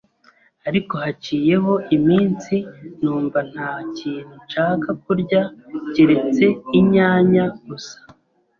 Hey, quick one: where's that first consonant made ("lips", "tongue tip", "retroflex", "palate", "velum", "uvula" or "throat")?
tongue tip